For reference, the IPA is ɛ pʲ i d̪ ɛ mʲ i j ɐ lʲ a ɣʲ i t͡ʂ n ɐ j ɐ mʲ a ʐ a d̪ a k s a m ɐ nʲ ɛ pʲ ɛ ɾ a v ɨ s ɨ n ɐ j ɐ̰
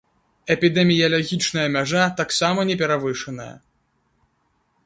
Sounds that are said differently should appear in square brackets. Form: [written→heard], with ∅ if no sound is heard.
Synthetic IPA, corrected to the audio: ɛ pʲ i d̪ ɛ mʲ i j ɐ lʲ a ɣʲ i t͡ʂ n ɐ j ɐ mʲ a ʐ a [d̪→t̪] a k s a m ɐ nʲ ɛ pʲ ɛ ɾ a v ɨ [s→ʂ] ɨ n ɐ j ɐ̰